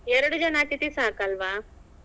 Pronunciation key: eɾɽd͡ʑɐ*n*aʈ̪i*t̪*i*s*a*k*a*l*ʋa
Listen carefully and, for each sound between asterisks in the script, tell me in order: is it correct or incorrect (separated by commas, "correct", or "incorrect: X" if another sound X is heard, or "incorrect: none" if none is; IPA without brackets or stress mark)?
correct, correct, correct, correct, correct